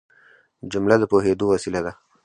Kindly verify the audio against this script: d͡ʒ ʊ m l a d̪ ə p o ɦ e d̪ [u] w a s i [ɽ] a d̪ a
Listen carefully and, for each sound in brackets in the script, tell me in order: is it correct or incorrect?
incorrect, incorrect

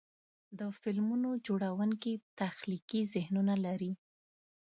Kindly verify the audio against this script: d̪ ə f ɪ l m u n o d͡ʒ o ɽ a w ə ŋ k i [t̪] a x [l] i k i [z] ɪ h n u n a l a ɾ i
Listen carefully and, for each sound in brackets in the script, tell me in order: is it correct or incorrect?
correct, correct, correct

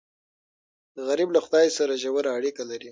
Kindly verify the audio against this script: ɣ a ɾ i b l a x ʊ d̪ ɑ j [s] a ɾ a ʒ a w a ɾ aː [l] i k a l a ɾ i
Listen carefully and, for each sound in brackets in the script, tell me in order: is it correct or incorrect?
correct, incorrect

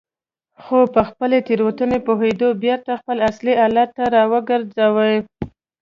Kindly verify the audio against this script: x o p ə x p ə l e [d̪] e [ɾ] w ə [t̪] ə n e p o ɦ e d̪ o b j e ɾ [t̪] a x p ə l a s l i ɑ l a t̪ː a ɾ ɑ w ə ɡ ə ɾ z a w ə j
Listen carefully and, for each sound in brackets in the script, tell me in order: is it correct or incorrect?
incorrect, correct, correct, correct

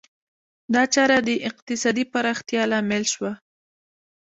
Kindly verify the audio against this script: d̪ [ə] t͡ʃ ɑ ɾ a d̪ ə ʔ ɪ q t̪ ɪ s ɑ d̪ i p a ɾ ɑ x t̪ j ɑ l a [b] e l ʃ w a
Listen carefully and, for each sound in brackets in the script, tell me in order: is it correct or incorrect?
incorrect, incorrect

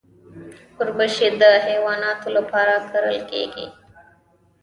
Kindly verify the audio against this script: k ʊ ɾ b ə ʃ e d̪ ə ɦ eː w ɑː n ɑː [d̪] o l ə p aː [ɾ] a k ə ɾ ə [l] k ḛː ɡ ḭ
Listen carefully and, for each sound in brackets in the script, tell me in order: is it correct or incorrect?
incorrect, correct, correct

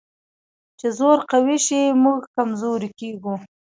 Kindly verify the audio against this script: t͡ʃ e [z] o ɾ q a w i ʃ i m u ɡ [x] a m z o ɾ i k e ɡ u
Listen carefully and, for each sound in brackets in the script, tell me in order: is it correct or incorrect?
correct, incorrect

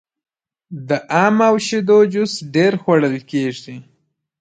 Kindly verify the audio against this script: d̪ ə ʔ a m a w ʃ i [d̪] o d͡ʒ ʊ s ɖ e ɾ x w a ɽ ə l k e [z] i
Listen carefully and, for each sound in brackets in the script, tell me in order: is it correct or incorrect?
correct, incorrect

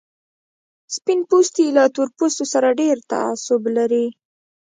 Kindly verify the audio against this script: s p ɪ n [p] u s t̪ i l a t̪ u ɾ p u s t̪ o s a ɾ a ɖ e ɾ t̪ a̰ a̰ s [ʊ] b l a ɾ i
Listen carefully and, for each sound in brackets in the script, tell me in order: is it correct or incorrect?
correct, correct

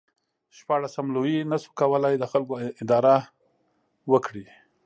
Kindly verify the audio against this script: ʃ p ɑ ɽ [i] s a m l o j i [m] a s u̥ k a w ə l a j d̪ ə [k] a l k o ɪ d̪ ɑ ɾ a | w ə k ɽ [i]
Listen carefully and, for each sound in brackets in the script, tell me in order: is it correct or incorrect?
incorrect, incorrect, incorrect, correct

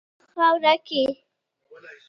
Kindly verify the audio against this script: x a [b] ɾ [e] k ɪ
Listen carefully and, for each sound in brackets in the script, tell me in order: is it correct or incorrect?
incorrect, incorrect

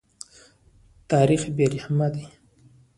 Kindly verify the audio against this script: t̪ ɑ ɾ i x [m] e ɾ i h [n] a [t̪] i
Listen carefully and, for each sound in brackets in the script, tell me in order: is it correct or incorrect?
incorrect, incorrect, incorrect

